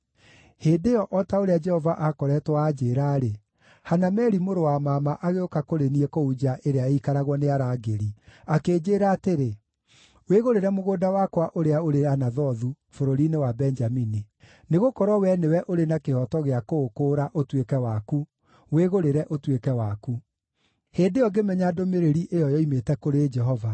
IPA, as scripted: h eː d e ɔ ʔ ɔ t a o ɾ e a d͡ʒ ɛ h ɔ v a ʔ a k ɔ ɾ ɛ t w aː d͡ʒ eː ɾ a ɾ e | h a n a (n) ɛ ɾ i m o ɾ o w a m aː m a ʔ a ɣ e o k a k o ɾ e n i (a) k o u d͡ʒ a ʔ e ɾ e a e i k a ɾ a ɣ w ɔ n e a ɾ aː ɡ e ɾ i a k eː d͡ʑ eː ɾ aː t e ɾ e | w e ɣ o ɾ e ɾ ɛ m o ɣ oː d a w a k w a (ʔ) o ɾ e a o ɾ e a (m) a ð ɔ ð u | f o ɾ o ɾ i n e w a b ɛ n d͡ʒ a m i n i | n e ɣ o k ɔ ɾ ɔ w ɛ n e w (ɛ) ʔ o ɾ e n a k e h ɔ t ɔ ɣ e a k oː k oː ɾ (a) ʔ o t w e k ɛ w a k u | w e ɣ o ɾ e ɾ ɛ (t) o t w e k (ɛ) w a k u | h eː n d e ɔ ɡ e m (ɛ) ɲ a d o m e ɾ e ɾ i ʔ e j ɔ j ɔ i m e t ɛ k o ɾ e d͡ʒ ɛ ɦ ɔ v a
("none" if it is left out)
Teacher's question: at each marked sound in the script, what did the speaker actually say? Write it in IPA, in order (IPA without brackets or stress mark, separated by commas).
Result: m, ɛ, ʔ, n, ɛ, a, ʔ, ɛ, ɛ